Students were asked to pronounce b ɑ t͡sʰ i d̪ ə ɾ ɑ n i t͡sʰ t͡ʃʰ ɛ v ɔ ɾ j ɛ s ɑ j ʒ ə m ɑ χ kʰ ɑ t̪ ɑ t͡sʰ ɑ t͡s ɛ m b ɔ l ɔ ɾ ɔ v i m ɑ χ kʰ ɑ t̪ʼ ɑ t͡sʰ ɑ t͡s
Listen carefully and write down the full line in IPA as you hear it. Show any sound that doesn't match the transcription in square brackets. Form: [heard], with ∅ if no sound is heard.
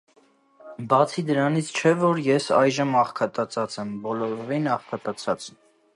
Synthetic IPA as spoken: b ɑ t͡sʰ i d̪ ə ɾ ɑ n i t͡sʰ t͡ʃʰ ɛ v ɔ ɾ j ɛ s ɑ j ʒ ə m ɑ χ kʰ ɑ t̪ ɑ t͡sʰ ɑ t͡s ɛ m b ɔ l ɔ ɾ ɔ v i [n] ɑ χ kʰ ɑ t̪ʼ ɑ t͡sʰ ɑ t͡s